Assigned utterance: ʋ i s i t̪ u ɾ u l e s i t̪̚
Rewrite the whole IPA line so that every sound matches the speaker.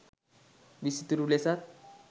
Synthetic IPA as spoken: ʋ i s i t̪ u ɾ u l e s a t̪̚